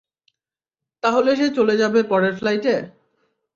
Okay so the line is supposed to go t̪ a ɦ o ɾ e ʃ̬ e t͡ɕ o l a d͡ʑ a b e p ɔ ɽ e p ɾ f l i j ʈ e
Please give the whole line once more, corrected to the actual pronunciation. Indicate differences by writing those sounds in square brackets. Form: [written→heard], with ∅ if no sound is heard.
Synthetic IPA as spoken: t̪ a ɦ o [ɾ→l] e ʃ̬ e t͡ɕ o l [a→e] d͡ʑ a b e p ɔ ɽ e [p→∅] ɾ f l [i→a] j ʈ e